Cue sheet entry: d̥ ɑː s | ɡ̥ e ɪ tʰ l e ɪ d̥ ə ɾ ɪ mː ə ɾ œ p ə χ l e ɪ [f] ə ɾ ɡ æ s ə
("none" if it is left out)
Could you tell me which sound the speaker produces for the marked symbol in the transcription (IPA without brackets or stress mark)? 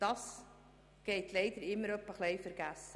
f